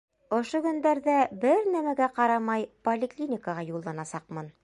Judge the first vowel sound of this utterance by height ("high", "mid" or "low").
mid